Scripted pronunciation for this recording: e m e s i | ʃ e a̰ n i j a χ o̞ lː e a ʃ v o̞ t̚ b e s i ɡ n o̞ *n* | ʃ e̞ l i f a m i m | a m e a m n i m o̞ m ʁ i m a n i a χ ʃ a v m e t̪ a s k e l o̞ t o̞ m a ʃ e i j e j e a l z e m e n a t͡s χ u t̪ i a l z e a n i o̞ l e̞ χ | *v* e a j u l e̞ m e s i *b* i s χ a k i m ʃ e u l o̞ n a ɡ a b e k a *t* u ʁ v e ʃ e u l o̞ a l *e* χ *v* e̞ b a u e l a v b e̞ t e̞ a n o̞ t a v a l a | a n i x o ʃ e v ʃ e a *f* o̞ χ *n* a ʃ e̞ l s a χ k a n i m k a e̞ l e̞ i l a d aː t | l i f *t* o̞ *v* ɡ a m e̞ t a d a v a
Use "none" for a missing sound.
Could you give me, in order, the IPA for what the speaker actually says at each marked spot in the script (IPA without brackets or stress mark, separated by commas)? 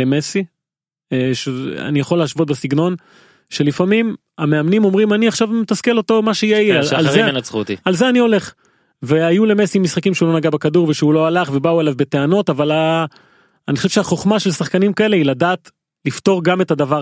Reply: n, v, m, d, a, v, χ, m, t, ʁ